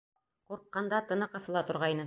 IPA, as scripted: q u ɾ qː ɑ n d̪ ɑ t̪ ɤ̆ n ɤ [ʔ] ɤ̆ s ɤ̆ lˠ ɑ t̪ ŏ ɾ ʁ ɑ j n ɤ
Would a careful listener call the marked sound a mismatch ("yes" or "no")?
yes